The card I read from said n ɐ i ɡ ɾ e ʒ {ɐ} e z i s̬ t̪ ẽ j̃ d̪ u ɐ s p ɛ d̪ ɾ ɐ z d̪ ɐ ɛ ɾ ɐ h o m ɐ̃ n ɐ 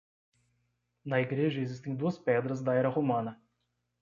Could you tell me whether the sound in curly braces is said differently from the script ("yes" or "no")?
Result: no